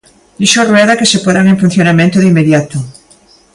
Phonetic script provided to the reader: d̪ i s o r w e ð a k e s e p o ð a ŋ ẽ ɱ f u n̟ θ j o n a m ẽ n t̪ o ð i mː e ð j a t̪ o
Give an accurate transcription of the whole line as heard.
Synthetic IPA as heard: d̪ i ʃ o r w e ð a k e s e p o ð a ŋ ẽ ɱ f u n̟ θ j o n a m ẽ n t̪ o ð i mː e ð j a t̪ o